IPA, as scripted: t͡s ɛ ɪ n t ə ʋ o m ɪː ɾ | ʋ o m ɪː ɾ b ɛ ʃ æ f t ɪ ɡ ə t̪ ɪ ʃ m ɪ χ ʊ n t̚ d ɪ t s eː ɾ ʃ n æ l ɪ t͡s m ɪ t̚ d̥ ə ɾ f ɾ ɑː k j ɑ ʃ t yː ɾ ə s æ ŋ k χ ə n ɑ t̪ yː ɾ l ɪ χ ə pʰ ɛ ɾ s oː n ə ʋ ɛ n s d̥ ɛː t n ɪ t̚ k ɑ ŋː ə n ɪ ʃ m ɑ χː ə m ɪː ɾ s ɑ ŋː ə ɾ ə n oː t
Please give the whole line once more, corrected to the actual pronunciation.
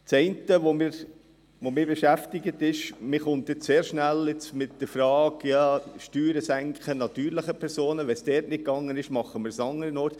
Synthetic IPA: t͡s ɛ ɪ n t ə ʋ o m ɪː ɾ | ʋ o m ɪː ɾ b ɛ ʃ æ f t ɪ ɡ ə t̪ ɪ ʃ m ɪ χ ʊ n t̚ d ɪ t s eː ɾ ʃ n æ l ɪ t͡s m ɪ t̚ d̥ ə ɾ f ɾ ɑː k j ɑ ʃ t yː ɾ ə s æ ŋ k χ ə n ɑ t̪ yː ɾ l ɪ χ ə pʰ ɛ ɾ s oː n ə ʋ ɛ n s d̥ ɛː t n ɪ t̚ k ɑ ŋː ə n ɪ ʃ m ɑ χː ə m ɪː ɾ s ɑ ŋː ə ɾ ə n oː t